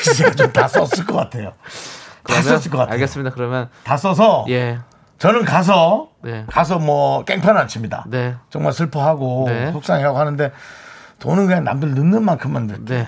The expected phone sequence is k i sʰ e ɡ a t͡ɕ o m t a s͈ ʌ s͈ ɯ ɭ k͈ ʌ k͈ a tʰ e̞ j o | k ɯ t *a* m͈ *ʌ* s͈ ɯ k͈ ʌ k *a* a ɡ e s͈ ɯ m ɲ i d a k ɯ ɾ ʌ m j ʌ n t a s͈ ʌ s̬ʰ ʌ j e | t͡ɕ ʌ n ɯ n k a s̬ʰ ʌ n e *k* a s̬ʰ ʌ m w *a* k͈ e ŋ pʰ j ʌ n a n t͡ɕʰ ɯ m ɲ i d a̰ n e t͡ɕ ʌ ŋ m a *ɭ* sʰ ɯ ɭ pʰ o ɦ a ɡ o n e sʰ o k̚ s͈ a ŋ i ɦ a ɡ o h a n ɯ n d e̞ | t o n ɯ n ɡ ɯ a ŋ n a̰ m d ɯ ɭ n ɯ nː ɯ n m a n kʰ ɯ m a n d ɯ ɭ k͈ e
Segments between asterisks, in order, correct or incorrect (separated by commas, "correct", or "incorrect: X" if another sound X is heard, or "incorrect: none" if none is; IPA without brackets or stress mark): correct, correct, correct, correct, incorrect: ʌ, correct